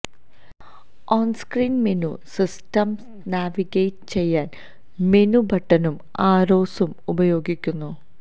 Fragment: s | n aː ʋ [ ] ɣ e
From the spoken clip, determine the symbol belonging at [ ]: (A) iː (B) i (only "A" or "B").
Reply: B